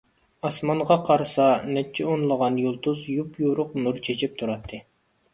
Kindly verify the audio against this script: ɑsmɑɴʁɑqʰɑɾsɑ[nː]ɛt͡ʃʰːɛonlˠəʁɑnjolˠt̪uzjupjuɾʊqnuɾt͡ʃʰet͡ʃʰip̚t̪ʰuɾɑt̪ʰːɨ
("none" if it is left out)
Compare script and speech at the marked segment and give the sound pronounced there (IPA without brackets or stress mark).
n